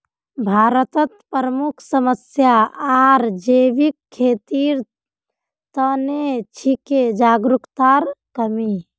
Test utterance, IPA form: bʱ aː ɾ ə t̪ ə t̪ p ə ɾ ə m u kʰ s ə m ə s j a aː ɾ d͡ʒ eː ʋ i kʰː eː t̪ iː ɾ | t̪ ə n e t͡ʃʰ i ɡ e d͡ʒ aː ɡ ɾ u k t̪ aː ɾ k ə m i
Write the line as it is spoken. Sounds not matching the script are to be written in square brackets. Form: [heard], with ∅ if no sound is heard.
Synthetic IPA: bʱ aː ɾ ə t̪ ə t̪ p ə ɾ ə m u kʰ s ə m ə s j a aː ɾ d͡ʒ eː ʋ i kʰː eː t̪ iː ɾ | t̪ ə n e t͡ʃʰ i [k] e d͡ʒ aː ɡ ɾ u k t̪ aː ɾ k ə m i